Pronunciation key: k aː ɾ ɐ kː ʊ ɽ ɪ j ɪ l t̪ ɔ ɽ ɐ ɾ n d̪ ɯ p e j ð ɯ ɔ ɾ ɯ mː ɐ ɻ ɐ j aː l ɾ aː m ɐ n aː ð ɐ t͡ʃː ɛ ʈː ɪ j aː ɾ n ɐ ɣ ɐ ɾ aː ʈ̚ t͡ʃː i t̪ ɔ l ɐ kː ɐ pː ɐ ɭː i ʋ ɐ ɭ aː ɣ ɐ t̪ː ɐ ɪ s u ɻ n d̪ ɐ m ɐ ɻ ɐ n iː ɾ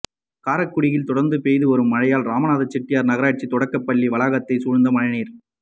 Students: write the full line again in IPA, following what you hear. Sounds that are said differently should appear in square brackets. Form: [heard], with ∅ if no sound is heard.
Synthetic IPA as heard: k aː ɾ ɐ kː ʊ ɽ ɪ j ɪ l t̪ ɔ ɽ ɐ ɾ n d̪ ɯ p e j ð ɯ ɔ ɾ ɯ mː ɐ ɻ ɐ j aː l ɾ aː m ɐ n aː ð ɐ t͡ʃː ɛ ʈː ɪ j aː ɾ n ɐ ɣ ɐ ɾ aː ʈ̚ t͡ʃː i t̪ ɔ [ɽ] ɐ kː ɐ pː ɐ ɭː i ʋ ɐ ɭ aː ɣ ɐ t̪ː ɐ ɪ s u ɻ n d̪ ɐ m ɐ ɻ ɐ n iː ɾ